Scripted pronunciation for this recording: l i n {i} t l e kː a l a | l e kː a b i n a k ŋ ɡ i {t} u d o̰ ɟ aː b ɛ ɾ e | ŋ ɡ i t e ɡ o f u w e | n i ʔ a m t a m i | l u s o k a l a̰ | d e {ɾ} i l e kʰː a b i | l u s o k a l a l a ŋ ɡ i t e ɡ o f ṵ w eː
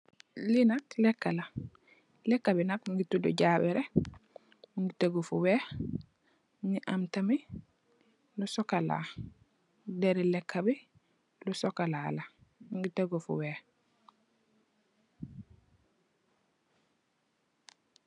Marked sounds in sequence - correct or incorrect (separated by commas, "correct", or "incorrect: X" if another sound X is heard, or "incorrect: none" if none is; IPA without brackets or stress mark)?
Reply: incorrect: a, correct, correct